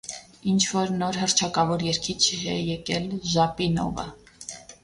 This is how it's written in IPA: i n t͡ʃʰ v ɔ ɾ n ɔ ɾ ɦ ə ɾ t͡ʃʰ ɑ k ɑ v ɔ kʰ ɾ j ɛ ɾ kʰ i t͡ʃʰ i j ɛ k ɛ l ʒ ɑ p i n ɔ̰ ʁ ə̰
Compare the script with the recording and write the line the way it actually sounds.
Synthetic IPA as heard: i n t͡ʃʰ v ɔ ɾ n ɔ ɾ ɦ ə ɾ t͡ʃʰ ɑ k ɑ v ɔ ɾ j ɛ ɾ kʰ i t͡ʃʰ ɛ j ɛ k ɛ l ʒ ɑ p i n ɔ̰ v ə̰

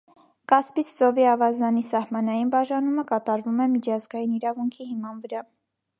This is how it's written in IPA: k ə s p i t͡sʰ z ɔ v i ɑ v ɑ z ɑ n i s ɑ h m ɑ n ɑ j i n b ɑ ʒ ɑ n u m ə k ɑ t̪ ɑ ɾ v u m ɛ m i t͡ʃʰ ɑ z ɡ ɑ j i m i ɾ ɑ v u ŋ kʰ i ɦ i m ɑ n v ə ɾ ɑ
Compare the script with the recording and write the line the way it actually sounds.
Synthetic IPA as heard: k ɑ s p i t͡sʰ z ɔ v i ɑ v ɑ z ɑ n i s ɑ h m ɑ n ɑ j i n b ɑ ʒ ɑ n u m ə k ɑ t̪ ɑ ɾ v u m ɛ m i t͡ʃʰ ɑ z ɡ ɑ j i n i ɾ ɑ v u ŋ kʰ i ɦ i m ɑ n v ə ɾ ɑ

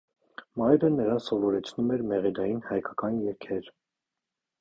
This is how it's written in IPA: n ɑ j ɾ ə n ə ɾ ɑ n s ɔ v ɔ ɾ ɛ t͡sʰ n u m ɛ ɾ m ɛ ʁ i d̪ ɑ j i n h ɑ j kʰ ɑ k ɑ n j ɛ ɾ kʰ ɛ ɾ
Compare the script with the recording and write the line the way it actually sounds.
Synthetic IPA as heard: m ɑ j ɾ ə n ə ɾ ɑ n s ɔ v ɔ ɾ ɛ t͡sʰ n u m ɛ ɾ m ɛ ʁ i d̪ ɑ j i n h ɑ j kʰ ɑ k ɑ n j ɛ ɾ kʰ ɛ ɾ

